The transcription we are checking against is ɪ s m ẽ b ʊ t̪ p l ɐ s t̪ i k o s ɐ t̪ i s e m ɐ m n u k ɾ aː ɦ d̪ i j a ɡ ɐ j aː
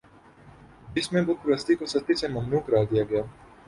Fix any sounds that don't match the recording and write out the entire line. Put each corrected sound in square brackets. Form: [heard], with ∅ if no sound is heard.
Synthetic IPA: ɪ s m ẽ b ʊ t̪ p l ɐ s t̪ i k o s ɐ t̪ i s e m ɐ m n [uː] k ɾ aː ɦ d̪ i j a ɡ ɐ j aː